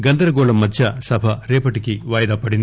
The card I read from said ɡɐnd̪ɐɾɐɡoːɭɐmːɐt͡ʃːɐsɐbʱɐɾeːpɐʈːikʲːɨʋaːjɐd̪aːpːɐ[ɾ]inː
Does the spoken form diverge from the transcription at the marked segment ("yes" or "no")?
yes